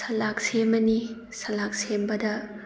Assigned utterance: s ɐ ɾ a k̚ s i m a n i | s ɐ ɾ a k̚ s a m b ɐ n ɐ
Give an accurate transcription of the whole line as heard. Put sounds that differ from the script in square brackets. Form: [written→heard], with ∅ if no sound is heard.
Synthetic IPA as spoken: s ɐ [ɾ→l] a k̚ s [i→e] m [a→ɐ] n i | s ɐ [ɾ→l] a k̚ s [a→e] m b ɐ [n→d] ɐ